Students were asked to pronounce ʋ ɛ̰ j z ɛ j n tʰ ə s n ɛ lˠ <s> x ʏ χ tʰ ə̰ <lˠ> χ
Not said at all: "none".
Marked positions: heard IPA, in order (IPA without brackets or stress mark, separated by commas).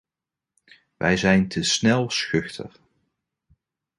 s, none